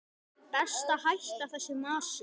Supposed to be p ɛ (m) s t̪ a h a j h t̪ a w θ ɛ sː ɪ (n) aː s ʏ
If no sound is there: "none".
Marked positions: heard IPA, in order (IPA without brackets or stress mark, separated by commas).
none, m